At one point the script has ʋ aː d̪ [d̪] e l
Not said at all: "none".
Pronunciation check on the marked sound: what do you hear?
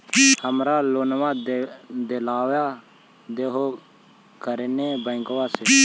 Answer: d̪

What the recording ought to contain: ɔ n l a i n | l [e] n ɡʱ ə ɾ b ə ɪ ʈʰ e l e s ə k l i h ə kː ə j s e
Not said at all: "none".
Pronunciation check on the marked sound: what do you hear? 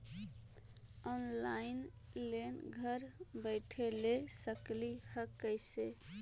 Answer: e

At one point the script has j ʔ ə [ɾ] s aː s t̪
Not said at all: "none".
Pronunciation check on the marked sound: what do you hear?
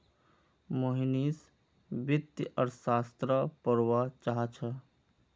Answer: ɾ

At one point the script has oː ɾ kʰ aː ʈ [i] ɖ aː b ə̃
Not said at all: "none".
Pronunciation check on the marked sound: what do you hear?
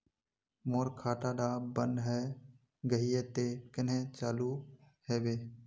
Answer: a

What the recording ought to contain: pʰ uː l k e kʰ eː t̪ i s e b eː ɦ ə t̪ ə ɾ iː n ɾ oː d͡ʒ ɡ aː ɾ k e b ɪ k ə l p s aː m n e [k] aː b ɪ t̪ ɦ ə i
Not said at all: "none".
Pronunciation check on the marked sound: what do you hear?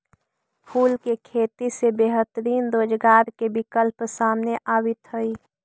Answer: ʔ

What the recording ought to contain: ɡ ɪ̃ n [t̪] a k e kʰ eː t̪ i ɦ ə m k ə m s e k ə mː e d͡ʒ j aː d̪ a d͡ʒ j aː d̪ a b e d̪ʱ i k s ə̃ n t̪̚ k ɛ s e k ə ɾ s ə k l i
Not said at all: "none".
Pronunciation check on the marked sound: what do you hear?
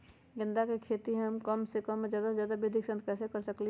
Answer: d̪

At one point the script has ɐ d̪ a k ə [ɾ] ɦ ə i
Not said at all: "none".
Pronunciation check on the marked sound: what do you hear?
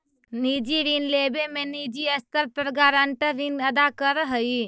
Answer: ɾ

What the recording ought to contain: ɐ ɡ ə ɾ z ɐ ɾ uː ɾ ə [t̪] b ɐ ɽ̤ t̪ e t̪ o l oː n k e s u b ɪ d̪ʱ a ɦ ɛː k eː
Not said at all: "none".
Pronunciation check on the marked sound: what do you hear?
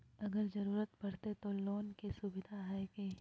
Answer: t̪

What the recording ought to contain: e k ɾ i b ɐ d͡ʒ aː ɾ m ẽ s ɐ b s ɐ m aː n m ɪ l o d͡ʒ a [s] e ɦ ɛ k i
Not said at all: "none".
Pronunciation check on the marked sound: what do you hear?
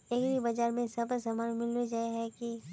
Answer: none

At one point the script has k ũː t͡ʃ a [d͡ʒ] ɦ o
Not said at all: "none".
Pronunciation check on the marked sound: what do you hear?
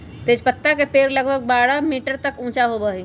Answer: none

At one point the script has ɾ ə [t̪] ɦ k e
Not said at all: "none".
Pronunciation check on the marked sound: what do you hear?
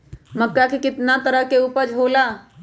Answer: none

